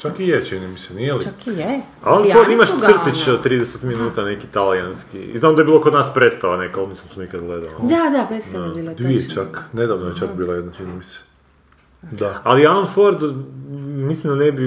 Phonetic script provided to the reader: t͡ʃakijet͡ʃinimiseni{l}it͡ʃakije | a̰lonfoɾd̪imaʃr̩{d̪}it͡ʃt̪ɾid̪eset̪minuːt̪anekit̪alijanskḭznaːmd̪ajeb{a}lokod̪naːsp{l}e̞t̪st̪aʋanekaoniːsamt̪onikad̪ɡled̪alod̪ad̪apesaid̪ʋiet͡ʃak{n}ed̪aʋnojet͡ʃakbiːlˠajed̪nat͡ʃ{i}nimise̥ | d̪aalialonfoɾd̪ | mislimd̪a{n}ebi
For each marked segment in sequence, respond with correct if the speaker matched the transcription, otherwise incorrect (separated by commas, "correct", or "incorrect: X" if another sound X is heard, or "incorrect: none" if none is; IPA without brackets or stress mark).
correct, incorrect: t̪, incorrect: i, incorrect: ɾ, correct, correct, correct